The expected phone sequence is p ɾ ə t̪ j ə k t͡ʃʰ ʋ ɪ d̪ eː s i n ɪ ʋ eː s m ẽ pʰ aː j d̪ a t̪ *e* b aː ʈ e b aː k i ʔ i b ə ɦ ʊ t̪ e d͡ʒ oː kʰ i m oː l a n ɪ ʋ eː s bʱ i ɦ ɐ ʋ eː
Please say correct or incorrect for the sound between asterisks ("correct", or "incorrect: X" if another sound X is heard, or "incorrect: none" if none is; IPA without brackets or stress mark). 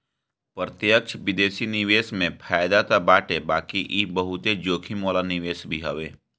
incorrect: a